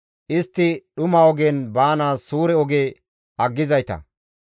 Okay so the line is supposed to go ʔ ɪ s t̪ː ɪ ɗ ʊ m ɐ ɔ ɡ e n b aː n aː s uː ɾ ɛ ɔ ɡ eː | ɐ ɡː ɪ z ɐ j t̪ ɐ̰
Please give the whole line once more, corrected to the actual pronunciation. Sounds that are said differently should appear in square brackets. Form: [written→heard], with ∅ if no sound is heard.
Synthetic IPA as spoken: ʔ ɪ s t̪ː ɪ ɗ ʊ m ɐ ɔ ɡ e n b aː n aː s uː ɾ ɛ ɔ ɡ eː | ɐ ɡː ɪ z ɐ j t̪ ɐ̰